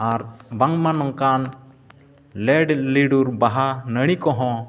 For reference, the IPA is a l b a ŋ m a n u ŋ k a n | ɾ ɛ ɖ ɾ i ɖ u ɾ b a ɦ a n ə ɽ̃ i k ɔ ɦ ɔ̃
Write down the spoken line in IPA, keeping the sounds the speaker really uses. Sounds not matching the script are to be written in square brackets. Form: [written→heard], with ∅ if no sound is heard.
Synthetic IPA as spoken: a [l→ɾ] b a ŋ m a n [u→ɔ] ŋ k a n | [ɾ→l] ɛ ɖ [ɾ→l] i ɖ u ɾ b a ɦ a n ə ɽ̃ i k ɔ ɦ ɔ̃